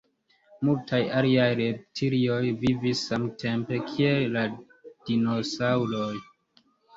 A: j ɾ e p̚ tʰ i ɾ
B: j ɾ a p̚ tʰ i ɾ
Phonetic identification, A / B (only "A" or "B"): A